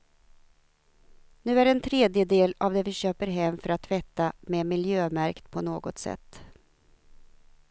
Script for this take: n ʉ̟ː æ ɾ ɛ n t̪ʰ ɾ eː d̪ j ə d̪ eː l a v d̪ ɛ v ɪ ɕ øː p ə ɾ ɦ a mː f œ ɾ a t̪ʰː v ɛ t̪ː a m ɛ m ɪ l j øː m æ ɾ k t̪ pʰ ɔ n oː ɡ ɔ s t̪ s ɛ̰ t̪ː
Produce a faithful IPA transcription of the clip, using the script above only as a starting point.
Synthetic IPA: n ʉ̟ː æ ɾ ɛ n t̪ʰ ɾ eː d̪ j ə d̪ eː l a v d̪ ɛ v ɪ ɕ øː p ə ɾ ɦ ɛ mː f œ ɾ a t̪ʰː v ɛ t̪ː a m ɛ m ɪ l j øː m æ ɾ k t̪ pʰ ɔ n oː ɡ ɔ t̪ s ɛ̰ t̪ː